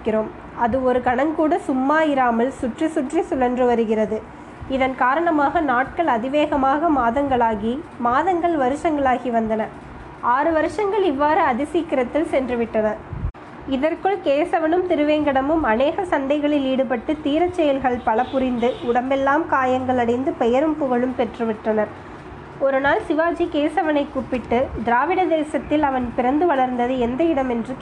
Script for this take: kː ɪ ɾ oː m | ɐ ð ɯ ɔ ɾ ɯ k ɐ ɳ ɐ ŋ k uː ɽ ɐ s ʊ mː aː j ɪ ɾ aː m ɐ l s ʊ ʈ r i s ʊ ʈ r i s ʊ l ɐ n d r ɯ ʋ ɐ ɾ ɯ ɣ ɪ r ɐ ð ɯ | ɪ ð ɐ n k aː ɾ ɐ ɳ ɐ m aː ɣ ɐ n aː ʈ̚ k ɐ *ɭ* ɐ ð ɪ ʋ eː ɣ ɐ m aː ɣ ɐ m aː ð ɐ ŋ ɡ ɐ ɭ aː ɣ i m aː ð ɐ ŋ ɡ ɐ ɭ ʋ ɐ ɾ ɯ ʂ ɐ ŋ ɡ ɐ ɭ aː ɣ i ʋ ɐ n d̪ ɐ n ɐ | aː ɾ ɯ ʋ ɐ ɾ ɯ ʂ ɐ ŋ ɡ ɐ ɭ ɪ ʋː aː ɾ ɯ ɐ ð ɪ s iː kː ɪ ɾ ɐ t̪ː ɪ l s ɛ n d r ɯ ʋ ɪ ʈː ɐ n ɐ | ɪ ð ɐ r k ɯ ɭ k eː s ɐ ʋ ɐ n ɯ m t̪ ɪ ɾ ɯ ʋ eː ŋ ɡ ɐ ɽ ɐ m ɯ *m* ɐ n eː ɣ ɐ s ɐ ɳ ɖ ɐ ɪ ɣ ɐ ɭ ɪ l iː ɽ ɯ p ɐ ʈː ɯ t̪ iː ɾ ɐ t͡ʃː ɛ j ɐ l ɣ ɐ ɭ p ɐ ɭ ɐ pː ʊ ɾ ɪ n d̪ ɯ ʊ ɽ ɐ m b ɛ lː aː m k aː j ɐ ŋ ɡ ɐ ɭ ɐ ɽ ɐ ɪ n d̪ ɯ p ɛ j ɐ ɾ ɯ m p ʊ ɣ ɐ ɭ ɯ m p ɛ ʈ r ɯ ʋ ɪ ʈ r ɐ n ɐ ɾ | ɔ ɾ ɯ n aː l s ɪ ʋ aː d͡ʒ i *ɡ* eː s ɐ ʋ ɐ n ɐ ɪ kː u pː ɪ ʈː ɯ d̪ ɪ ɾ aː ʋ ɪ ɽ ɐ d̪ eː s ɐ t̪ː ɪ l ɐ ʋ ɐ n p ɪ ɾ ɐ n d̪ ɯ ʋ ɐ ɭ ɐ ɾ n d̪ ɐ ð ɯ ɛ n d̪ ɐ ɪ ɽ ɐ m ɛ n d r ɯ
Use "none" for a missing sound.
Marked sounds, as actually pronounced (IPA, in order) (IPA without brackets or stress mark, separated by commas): ɭ, m, k